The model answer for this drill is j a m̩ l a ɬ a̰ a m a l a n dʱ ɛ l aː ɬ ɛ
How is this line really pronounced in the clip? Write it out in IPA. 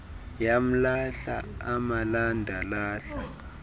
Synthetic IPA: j a m̩ l a ɬ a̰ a m a l a n dʱ a l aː ɬ a